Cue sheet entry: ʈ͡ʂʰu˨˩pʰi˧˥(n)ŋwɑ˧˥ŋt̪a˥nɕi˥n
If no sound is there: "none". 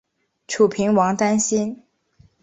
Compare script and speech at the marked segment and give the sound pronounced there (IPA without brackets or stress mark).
none